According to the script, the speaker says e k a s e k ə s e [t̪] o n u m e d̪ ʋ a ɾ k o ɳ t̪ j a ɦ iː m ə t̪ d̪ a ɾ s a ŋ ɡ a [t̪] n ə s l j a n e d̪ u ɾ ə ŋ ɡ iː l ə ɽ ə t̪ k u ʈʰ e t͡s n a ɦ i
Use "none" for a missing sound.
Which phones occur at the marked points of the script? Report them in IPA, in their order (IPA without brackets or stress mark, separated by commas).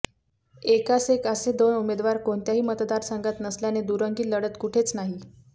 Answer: d̪, t̪